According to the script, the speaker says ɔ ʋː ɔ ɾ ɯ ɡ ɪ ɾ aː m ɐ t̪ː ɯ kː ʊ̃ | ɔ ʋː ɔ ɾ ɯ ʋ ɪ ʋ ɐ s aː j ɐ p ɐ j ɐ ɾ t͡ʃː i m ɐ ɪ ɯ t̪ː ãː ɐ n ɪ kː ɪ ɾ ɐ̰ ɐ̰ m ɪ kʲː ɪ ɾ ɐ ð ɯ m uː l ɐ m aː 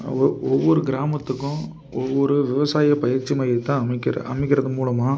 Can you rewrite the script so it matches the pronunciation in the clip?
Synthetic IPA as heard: ɔ ʋː ɔ ɾ ɯ ɡ ɪ ɾ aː m ɐ t̪ː ɯ kː ʊ̃ | ɔ ʋː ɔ ɾ ɯ ʋ ɪ ʋ ɐ s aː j ɐ p ɐ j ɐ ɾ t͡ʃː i m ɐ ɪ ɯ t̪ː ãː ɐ m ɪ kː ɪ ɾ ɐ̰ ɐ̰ m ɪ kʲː ɪ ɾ ɐ ð ɯ m uː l ɐ m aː